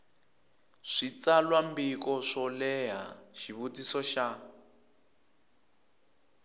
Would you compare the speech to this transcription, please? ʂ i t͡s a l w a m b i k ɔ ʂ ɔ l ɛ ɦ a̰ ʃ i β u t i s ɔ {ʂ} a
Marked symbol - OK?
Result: no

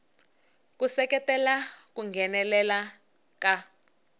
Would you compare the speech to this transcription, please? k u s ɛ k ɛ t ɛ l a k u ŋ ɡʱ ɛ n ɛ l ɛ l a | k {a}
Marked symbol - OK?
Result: yes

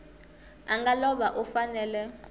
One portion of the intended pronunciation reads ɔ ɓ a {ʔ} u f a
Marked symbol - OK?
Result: yes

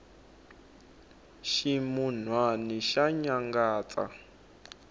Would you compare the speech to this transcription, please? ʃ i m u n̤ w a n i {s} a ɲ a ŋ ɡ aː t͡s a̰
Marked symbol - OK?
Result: no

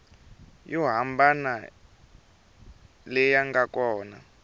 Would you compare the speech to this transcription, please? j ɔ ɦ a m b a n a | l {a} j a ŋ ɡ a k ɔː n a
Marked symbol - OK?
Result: no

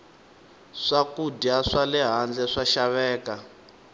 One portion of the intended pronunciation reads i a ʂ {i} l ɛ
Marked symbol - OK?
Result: no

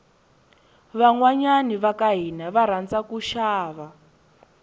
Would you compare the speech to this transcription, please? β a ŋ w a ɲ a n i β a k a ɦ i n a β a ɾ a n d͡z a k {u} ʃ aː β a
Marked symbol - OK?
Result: yes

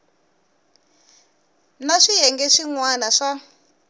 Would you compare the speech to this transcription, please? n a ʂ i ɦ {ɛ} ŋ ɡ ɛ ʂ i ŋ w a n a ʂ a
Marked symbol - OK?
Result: yes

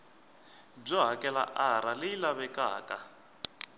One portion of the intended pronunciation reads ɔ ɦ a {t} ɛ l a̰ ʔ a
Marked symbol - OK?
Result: no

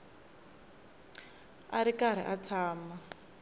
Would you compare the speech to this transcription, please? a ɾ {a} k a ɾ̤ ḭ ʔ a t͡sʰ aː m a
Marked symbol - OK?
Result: no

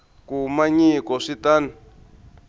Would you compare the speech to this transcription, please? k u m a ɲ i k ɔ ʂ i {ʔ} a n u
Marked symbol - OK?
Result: no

